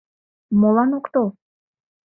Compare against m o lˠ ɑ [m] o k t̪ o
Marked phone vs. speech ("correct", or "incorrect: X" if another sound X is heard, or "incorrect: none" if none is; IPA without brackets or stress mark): incorrect: n